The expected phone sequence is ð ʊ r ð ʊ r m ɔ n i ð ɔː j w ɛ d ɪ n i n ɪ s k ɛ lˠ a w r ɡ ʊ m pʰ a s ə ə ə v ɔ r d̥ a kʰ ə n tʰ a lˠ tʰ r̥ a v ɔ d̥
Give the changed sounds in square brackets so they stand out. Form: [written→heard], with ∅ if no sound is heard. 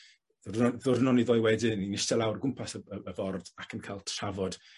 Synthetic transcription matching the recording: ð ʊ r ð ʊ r [m→n] ɔ n i ð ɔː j w ɛ d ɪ n i n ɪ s [k→t] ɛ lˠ a w r ɡ ʊ m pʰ a s ə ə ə v ɔ r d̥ a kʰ ə n [tʰ→kʰ] a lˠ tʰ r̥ a v ɔ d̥